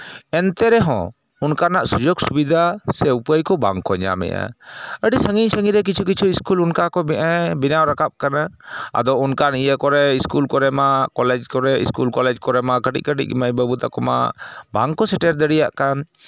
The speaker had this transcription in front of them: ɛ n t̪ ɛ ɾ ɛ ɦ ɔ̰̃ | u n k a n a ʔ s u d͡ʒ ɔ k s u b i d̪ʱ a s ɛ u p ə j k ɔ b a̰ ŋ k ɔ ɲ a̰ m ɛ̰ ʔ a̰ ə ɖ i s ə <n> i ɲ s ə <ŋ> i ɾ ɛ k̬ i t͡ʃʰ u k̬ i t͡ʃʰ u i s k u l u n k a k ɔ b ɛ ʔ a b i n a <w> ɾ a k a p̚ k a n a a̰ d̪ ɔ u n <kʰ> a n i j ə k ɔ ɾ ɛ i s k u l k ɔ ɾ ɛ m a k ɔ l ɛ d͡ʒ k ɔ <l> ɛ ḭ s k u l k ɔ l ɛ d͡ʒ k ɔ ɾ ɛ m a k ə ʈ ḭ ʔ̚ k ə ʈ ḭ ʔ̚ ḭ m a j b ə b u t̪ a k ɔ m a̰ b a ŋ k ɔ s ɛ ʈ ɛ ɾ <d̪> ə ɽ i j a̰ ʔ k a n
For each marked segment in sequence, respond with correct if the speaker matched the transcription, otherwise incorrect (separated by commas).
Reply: incorrect, correct, correct, incorrect, incorrect, correct